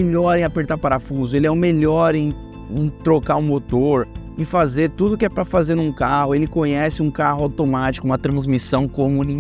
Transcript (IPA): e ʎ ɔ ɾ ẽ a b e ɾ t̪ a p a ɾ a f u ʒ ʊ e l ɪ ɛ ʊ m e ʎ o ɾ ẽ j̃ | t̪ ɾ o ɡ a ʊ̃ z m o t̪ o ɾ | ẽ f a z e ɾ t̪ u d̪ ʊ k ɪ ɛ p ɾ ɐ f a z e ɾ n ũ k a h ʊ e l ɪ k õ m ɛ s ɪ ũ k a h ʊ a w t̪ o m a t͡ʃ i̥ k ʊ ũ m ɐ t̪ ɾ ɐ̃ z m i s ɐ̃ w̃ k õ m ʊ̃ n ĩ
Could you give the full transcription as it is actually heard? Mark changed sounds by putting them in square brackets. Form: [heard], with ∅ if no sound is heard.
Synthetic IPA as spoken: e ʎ ɔ ɾ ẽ a [p] e ɾ t̪ a p a ɾ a f u [z] ʊ e l ɪ ɛ ʊ m e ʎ [ɔ] ɾ ẽ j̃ | t̪ ɾ o [k] a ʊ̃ [∅] m o t̪ o ɾ | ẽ f a z e ɾ t̪ u d̪ ʊ k ɪ ɛ p ɾ ɐ f a z e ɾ n ũ k a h ʊ e l ɪ k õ [ɲ] ɛ s ɪ ũ k a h ʊ a w t̪ o m a t͡ʃ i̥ k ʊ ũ m ɐ t̪ ɾ ɐ̃ z m i s ɐ̃ w̃ k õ m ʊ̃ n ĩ